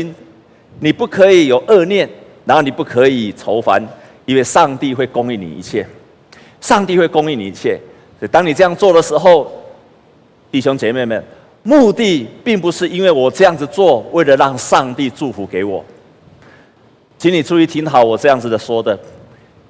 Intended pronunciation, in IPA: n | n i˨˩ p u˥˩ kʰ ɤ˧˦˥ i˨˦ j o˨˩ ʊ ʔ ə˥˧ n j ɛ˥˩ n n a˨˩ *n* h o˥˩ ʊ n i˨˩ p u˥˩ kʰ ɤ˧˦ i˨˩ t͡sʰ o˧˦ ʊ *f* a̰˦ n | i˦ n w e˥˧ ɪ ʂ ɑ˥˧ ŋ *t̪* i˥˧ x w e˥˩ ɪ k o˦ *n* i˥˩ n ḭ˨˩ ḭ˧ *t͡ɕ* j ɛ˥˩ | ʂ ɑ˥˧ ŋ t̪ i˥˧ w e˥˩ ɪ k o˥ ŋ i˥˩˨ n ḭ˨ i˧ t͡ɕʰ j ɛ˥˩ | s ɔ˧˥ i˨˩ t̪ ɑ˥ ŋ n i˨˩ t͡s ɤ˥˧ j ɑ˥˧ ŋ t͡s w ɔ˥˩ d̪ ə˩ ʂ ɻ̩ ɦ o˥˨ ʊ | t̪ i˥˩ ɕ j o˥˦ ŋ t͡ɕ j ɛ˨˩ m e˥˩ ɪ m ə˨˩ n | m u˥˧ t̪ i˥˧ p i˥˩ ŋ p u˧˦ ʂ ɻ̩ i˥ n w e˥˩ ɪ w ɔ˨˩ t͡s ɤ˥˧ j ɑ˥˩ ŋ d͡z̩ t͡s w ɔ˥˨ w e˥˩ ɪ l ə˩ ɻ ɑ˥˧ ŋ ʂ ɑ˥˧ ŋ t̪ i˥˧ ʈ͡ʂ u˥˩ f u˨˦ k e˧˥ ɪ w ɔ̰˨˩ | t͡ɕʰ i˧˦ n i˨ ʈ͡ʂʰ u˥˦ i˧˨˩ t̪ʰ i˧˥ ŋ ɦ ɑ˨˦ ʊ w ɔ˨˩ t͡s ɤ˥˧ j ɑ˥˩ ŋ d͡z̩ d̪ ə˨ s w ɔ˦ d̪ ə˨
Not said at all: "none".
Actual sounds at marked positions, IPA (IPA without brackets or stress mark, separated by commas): n, f, t̪, ŋ, t͡ɕʰ